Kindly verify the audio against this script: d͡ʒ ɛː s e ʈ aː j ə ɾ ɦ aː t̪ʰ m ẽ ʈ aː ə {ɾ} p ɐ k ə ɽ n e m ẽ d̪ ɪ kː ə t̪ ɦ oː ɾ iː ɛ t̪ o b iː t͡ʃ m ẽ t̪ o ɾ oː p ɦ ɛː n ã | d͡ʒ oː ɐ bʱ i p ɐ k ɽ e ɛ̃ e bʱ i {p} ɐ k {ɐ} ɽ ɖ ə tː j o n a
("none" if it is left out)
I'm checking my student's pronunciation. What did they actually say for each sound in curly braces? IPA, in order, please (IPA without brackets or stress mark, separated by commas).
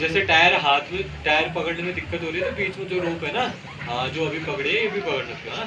ɾ, p, ə